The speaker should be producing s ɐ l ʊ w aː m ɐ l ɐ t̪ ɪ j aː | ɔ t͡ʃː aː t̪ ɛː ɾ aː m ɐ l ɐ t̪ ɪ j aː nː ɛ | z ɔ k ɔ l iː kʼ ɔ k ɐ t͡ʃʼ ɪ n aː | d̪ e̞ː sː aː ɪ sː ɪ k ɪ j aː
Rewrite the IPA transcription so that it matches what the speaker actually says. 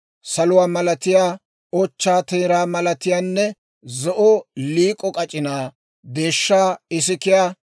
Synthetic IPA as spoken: s ɐ l ʊ w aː m ɐ l ɐ t̪ ɪ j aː | ɔ t͡ʃː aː t̪ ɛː ɾ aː m ɐ l ɐ t̪ ɪ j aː nː ɛ | z ɔ ʔ ɔ l iː kʼ ɔ kʼ ɐ t͡ʃʼ ɪ n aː | d̪ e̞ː ʃː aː ɪ s ɪ k ɪ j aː

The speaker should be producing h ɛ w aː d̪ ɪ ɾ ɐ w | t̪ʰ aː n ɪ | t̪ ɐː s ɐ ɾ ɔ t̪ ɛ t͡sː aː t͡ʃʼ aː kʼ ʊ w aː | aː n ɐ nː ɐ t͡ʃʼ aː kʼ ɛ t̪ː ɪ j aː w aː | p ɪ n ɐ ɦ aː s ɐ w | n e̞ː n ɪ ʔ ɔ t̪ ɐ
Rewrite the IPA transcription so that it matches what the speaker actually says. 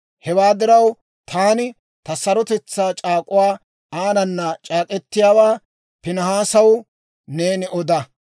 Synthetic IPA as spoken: h ɛ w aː d̪ ɪ ɾ ɐ w | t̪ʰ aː n ɪ | t̪ ɐ s ɐ ɾ ɔ t̪ ɛ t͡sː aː t͡ʃʼ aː kʼ ʊ w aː | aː n ɐ nː ɐ t͡ʃʼ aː kʼ ɛ t̪ː ɪ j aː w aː | p ɪ n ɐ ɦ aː s ɐ w | n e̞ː n ɪ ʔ ɔ d̪ ɐ

